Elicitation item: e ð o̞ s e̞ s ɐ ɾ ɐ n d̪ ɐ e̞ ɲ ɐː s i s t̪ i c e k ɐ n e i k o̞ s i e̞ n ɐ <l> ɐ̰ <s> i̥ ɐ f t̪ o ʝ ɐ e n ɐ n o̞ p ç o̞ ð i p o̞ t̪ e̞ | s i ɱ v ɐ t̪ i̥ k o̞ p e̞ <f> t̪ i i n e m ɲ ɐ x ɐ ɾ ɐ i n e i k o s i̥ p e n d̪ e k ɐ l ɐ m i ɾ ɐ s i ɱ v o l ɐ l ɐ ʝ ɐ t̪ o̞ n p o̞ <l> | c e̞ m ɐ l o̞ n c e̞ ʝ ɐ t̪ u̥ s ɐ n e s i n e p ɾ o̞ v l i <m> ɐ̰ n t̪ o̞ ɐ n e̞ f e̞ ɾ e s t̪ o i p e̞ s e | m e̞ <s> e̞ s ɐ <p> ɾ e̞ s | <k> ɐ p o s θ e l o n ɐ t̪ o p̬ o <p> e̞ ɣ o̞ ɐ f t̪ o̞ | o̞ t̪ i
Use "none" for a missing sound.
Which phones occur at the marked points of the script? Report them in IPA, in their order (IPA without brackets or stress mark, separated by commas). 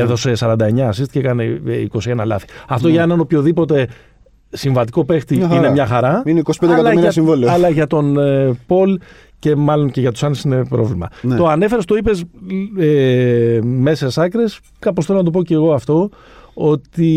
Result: l, θ, x, l, m, s, k, k, c